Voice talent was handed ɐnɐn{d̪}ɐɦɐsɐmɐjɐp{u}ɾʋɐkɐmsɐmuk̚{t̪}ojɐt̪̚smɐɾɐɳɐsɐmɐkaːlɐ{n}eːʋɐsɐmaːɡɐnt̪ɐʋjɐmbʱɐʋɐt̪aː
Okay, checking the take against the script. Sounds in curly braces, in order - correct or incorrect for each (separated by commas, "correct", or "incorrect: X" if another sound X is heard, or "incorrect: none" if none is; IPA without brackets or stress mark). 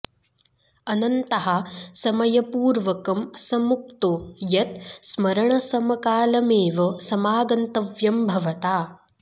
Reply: incorrect: t̪, incorrect: uː, correct, incorrect: m